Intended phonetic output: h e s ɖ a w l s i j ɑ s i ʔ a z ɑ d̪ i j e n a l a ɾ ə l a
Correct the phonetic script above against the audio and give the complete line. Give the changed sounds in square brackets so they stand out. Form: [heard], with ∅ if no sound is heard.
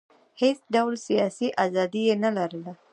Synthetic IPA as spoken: h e s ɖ a w l s i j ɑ s i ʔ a z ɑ d̪ i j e n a l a ɾ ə l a